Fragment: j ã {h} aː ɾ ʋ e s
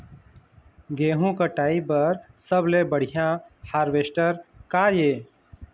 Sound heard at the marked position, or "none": h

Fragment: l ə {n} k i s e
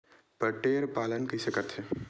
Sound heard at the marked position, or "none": n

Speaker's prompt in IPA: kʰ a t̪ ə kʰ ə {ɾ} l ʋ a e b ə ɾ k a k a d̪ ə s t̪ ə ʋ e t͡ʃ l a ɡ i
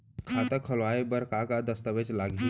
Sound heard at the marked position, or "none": none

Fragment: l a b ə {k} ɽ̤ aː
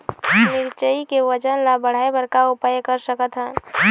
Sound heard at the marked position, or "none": none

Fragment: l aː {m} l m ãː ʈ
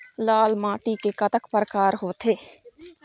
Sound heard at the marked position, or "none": none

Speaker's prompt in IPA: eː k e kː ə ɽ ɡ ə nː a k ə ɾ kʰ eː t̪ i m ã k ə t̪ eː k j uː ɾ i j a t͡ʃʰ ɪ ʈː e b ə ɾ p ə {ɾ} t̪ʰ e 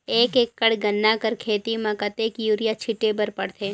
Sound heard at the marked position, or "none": ɽ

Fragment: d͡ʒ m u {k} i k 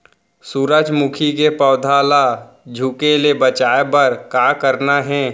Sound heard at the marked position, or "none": kʰ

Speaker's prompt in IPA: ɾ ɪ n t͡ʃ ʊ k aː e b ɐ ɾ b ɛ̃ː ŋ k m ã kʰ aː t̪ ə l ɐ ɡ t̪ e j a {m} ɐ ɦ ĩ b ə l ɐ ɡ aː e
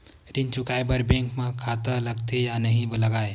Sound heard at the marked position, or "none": n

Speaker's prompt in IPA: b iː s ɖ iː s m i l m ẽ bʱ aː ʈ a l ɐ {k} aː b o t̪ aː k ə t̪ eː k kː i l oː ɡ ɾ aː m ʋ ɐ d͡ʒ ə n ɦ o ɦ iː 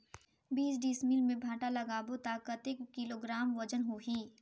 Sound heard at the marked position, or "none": ɡ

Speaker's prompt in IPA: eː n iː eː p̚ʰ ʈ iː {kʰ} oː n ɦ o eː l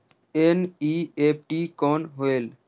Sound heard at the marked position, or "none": k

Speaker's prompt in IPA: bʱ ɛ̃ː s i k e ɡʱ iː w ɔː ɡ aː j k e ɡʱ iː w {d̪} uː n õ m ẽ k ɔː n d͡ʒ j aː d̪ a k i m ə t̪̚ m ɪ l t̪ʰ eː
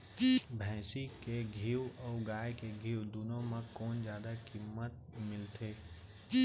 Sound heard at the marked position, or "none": d̪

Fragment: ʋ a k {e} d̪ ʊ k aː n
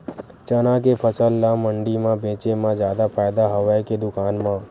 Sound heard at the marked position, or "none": e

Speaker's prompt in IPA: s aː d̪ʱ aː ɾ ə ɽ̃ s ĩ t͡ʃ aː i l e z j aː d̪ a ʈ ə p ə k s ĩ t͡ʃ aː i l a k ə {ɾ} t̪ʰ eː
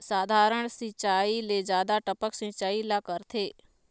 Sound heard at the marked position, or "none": ɾ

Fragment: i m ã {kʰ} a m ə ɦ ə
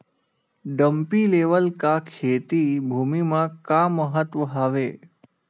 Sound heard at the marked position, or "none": k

